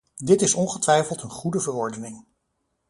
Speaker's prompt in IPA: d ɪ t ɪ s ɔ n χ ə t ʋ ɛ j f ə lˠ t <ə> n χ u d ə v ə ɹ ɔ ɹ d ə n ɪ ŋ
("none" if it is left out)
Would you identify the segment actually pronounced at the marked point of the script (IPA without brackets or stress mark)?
ə